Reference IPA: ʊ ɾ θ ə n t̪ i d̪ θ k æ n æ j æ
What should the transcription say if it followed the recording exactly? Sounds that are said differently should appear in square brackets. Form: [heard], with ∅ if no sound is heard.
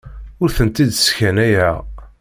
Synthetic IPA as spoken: ʊ ɾ θ ə n t̪ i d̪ [s] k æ n æ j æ